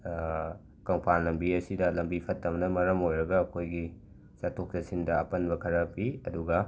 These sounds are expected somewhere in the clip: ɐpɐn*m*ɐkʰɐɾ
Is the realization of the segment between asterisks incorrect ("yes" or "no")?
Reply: yes